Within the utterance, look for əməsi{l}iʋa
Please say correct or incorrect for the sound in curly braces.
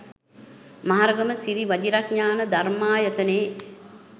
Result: incorrect